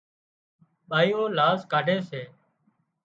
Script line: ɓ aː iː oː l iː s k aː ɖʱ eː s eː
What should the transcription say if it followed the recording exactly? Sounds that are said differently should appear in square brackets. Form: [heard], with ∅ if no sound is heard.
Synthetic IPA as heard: ɓ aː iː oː l [aː] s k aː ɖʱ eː s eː